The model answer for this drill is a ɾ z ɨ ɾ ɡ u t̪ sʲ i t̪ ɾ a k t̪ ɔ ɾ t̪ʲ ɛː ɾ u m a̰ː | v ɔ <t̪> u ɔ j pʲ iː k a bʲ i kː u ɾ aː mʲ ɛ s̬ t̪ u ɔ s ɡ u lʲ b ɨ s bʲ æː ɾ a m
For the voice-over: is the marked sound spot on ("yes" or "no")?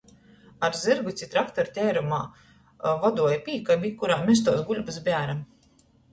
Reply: no